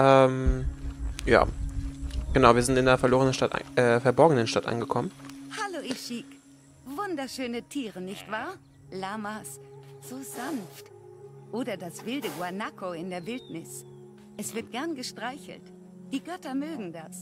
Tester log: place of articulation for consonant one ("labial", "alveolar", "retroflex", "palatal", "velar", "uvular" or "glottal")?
glottal